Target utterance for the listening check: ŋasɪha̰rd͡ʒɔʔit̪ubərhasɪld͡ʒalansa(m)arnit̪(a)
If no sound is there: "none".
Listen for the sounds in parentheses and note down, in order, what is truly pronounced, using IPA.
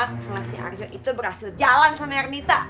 m, a

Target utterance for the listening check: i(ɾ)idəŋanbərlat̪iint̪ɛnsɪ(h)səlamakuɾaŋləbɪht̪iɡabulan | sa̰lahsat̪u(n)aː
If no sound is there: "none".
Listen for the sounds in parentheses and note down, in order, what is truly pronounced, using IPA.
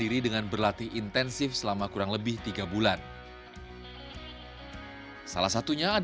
ɾ, f, ɲ

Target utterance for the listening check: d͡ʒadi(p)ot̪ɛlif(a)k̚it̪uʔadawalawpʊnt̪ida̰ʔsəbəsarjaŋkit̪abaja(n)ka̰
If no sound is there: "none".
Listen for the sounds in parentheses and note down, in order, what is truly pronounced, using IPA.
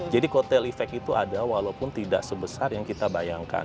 k, ɛ, ŋ

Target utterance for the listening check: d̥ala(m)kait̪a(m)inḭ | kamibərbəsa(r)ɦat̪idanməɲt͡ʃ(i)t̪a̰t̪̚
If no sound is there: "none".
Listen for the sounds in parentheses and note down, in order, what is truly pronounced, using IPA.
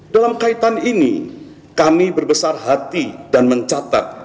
m, n, r, a

